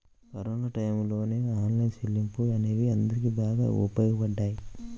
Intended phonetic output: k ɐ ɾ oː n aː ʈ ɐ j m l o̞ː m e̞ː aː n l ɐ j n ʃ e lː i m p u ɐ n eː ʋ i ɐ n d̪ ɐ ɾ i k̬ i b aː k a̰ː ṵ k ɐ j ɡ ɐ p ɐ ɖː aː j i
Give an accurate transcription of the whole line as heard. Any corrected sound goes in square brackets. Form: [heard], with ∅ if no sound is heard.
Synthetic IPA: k ɐ ɾ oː n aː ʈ ɐ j m l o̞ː [n] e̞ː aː n l ɐ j n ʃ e lː i m p u ɐ n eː ʋ i ɐ n d̪ ɐ ɾ i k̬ i b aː [ɡ] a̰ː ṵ [p] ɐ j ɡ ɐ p ɐ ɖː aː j i